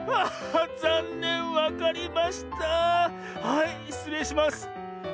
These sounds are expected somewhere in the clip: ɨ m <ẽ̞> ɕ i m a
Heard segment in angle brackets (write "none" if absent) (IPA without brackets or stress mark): e̞